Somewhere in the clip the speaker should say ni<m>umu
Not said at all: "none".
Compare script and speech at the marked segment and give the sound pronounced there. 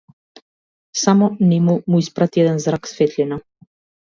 m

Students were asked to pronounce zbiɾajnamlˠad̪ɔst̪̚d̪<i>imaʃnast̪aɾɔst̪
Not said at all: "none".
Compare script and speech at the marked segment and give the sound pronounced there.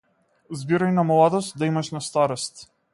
a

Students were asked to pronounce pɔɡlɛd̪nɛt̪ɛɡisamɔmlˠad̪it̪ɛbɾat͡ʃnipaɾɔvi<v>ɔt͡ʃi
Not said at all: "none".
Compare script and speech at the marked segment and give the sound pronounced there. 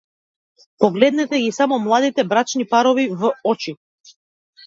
v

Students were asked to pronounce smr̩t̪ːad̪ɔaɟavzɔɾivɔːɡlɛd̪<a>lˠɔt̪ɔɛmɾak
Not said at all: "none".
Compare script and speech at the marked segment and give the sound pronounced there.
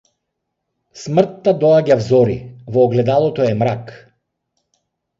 a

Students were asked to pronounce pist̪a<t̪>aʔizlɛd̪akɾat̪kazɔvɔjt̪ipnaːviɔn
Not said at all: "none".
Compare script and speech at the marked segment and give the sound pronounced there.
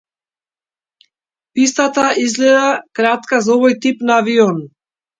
t̪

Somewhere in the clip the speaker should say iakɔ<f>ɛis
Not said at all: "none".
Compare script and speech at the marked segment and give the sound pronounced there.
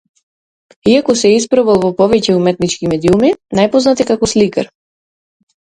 s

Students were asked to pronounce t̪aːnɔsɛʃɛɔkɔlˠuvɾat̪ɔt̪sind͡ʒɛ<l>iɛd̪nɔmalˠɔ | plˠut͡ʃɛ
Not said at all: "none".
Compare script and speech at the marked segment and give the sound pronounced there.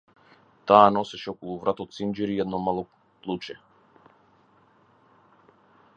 ɾ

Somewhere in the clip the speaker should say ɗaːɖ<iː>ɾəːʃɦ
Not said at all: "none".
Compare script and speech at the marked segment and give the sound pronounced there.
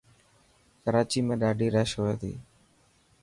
iː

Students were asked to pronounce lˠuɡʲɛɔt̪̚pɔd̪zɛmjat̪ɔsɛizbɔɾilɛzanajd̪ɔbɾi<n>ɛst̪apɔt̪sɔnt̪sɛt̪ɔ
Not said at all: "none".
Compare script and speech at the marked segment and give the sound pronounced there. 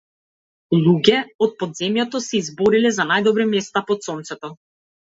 m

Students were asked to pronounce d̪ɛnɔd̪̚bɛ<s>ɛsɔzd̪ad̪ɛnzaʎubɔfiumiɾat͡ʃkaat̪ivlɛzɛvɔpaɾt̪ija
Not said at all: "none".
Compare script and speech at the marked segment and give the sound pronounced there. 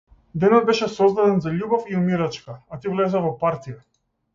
ʃ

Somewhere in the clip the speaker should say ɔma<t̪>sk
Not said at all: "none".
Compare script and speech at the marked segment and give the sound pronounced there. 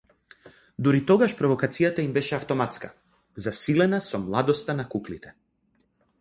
t̪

